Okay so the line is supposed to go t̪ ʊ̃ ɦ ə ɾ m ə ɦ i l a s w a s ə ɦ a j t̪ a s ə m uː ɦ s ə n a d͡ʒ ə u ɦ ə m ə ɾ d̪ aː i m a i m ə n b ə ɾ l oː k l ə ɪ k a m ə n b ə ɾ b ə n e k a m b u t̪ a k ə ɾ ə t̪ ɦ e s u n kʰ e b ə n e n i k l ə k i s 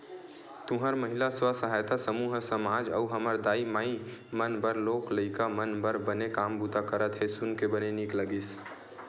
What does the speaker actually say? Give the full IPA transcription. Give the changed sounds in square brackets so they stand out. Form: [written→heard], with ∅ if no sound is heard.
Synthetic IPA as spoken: t̪ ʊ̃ ɦ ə ɾ m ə ɦ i l a s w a s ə ɦ a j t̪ a s ə m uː ɦ s ə [n→m] a d͡ʒ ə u ɦ ə m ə ɾ d̪ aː i m a i m ə n b ə ɾ l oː k l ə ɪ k a m ə n b ə ɾ b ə n e k a m b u t̪ a k ə ɾ ə t̪ ɦ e s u n [kʰ→k] e b ə n e n i k l ə [k→ɡ] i s